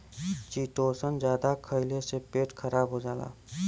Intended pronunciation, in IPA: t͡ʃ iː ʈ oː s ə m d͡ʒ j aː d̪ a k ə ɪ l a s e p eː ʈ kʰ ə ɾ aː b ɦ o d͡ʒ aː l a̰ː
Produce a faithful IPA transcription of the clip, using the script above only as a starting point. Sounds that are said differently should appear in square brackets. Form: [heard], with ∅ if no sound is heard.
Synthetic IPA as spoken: t͡ʃ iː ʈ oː s ə [n] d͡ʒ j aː d̪ a [kʰ] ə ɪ l [e] s e p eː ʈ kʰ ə ɾ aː b ɦ o d͡ʒ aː l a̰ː